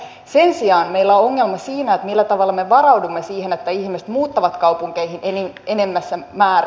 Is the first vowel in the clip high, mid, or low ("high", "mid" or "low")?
mid